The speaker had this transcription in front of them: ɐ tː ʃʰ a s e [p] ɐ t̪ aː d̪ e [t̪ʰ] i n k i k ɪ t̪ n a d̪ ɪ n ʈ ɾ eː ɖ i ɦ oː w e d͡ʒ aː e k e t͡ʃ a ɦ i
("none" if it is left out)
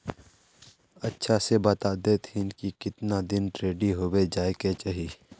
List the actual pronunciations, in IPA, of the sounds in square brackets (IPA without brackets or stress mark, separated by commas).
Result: b, t̪ʰ